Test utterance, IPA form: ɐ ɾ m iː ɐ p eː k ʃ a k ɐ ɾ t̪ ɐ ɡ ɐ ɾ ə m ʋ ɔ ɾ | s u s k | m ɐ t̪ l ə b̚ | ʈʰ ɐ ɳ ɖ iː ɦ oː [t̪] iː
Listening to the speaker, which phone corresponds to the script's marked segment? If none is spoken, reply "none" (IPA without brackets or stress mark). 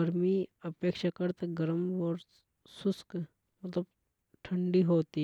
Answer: t̪